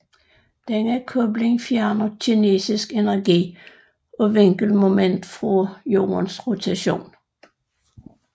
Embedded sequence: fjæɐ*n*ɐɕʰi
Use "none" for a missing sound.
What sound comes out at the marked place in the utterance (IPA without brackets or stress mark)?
n